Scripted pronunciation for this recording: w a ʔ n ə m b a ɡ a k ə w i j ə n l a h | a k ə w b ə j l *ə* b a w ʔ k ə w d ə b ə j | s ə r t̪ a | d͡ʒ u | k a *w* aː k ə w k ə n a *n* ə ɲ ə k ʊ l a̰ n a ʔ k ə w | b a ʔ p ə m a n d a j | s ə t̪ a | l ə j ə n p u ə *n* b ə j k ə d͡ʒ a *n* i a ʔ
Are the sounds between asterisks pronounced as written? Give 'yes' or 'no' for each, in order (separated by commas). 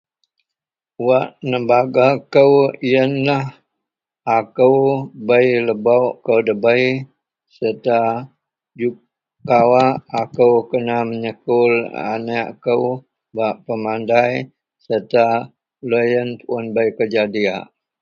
yes, yes, no, yes, no